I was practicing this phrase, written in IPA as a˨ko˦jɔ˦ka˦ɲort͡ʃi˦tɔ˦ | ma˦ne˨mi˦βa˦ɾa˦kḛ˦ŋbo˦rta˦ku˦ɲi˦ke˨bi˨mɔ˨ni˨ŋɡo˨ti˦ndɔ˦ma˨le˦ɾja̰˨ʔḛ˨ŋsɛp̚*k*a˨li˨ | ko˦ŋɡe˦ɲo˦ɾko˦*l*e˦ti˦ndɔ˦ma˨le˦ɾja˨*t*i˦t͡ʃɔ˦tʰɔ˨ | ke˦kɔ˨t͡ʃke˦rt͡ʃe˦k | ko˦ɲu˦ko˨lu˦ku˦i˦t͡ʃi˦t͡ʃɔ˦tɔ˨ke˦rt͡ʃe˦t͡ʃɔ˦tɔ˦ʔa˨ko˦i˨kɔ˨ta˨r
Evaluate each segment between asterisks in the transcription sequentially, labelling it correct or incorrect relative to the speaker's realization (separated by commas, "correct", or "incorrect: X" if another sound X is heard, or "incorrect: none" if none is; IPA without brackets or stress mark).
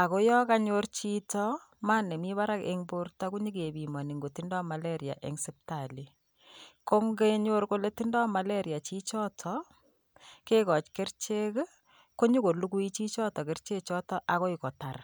incorrect: t, correct, incorrect: t͡ʃ